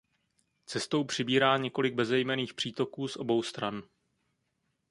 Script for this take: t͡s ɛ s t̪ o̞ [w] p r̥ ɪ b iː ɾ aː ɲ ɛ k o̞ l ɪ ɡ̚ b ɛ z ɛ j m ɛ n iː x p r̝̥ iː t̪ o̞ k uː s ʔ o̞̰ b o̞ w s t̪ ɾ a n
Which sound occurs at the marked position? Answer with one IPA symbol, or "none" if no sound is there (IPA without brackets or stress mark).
w